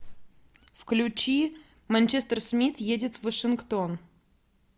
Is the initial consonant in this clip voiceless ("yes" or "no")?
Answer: yes